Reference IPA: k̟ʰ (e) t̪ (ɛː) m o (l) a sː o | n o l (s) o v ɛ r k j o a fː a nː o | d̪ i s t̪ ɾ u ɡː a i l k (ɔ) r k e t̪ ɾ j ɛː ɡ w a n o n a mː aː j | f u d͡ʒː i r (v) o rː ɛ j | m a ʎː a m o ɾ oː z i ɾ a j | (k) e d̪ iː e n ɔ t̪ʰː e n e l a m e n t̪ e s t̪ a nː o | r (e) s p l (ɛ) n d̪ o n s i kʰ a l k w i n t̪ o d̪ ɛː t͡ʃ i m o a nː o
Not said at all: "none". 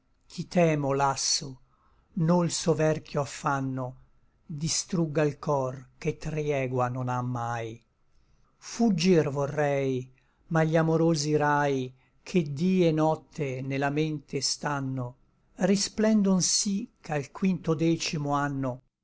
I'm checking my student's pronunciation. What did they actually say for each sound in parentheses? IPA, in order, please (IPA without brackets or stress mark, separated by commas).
i, ɛː, l, s, ɔ, v, kʰ, i, ɛ